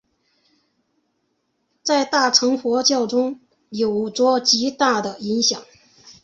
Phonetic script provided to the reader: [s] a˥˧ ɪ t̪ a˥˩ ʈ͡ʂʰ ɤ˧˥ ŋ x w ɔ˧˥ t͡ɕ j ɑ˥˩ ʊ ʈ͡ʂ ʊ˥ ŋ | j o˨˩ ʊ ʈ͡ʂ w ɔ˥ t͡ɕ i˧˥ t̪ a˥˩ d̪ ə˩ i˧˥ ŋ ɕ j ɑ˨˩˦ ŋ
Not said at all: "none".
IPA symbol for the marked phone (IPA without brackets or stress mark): t͡s